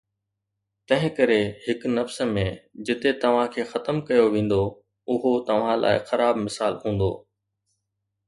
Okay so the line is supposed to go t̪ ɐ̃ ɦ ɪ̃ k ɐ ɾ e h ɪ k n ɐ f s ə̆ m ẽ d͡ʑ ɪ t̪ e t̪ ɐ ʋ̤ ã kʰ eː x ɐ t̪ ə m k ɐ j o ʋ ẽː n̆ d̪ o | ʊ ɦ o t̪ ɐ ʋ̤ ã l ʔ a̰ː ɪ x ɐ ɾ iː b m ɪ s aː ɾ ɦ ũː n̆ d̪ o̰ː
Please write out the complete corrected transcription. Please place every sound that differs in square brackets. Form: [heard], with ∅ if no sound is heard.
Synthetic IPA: t̪ ɐ̃ ɦ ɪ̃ k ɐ ɾ e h ɪ k n ɐ f s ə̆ m ẽ d͡ʑ ɪ t̪ e t̪ ɐ ʋ̤ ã kʰ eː x ɐ t̪ ə m k ɐ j o ʋ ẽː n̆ d̪ o | ʊ ɦ o t̪ ɐ ʋ̤ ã l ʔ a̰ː ɪ x ɐ ɾ [aː] b m ɪ s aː [l] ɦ ũː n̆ d̪ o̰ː

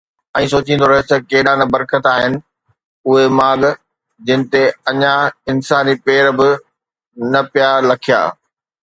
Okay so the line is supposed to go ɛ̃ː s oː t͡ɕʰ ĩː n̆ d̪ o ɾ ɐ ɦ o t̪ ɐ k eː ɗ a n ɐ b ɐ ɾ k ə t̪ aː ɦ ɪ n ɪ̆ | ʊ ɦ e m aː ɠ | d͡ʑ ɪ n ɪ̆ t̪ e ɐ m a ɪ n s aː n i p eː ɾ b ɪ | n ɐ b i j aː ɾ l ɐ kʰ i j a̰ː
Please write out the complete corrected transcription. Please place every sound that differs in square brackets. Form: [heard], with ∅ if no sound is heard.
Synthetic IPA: ɛ̃ː s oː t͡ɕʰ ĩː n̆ d̪ o ɾ ɐ ɦ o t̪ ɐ k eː ɗ a n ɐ b ɐ ɾ k ə t̪ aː ɦ ɪ n ɪ̆ | ʊ ɦ e m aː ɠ | d͡ʑ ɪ n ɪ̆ t̪ e ɐ [ɲ] a ɪ n s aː n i p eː ɾ b ɪ | n ɐ [p] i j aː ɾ l ɐ kʰ i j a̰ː

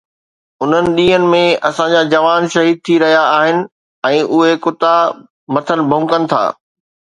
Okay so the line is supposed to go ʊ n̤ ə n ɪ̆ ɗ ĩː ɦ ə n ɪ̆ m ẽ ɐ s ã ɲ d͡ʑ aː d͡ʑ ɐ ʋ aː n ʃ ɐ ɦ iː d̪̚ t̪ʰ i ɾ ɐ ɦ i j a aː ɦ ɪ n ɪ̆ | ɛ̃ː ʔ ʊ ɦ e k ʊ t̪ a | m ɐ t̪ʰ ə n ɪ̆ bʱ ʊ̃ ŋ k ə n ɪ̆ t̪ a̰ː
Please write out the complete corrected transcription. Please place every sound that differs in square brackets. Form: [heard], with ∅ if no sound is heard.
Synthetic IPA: ʊ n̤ ə n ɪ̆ ɗ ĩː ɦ ə n ɪ̆ m ẽ ɐ s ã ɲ d͡ʑ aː d͡ʑ ɐ ʋ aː n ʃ ɐ ɦ iː d̪̚ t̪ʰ i ɾ ɐ ɦ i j a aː ɦ ɪ n ɪ̆ | ɛ̃ː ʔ ʊ ɦ e k ʊ t̪ a | m ɐ t̪ʰ ə n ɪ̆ bʱ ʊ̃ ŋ k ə n ɪ̆ [t̪ʰ] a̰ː

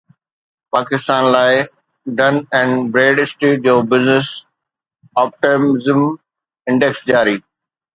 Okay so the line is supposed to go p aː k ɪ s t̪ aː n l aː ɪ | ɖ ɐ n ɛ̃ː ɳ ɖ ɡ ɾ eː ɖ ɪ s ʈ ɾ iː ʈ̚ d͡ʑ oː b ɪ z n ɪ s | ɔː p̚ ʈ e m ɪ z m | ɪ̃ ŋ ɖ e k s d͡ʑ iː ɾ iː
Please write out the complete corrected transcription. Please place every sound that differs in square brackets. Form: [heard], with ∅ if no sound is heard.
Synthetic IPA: p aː k ɪ s t̪ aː n l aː ɪ | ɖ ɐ n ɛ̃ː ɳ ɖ [b] ɾ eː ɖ ɪ s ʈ ɾ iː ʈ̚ d͡ʑ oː b ɪ z n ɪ s | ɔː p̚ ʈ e m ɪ z m | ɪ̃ [ɳ] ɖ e k s d͡ʑ [aː] ɾ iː

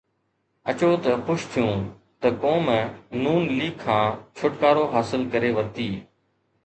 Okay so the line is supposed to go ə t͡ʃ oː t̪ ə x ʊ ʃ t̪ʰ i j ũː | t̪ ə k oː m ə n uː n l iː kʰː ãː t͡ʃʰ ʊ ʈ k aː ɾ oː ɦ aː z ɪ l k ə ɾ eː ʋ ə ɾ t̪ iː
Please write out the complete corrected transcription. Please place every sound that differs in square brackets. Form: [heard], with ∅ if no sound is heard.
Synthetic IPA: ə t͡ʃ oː t̪ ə x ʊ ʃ t̪ʰ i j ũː | t̪ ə k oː m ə n uː n l iː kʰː ãː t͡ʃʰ ʊ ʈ k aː ɾ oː ɦ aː [s] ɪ l k ə ɾ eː ʋ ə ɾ t̪ iː

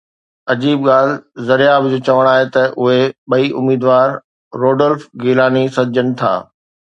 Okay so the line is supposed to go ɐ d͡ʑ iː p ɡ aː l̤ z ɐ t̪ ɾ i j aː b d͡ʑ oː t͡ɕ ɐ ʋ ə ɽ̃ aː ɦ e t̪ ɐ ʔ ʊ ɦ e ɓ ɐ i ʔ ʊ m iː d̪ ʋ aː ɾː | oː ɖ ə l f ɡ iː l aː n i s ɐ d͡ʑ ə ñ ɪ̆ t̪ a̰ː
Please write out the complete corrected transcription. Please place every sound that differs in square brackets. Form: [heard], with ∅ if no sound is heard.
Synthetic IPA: ɐ d͡ʑ iː [b] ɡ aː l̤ z ɐ [∅] ɾ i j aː b d͡ʑ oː t͡ɕ ɐ ʋ ə ɽ̃ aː ɦ e t̪ ɐ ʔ ʊ ɦ e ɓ ɐ i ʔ ʊ m iː d̪ ʋ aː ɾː | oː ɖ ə l f ɡ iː l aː n i s ɐ d͡ʑ ə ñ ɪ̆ [t̪ʰ] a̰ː

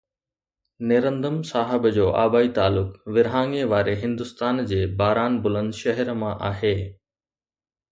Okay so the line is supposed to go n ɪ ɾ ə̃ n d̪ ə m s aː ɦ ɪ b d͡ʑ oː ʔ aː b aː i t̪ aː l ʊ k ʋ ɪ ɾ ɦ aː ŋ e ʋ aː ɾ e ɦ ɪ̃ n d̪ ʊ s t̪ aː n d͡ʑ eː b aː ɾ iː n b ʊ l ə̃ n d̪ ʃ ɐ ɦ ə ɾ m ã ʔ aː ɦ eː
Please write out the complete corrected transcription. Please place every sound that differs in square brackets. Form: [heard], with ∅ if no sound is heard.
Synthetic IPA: n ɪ ɾ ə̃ n d̪ ə m s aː ɦ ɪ b d͡ʑ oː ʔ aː b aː i t̪ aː l ʊ k ʋ ɪ ɾ ɦ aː ŋ e ʋ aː ɾ e ɦ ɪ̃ n d̪ ʊ s t̪ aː n d͡ʑ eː b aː ɾ [aː] n b ʊ l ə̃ n d̪ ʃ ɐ ɦ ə ɾ m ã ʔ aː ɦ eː

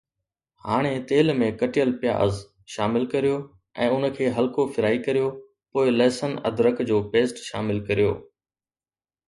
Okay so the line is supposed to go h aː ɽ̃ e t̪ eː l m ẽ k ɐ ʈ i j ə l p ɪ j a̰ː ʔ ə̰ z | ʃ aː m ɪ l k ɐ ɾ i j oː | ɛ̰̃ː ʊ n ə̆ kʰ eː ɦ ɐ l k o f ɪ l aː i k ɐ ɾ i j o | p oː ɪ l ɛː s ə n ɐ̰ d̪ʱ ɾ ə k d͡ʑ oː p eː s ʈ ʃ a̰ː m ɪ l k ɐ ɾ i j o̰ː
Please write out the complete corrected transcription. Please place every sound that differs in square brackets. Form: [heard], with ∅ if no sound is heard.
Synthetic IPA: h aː ɽ̃ e t̪ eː l m ẽ k ɐ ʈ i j ə l p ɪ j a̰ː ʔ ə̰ z | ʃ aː m ɪ l k ɐ ɾ i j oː | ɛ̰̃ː ʊ n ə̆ kʰ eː ɦ ɐ l k o f ɪ [ɾ] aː i k ɐ ɾ i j o | p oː ɪ l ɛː s ə n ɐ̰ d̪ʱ ɾ ə k d͡ʑ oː p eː s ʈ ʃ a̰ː m ɪ l k ɐ ɾ i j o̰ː

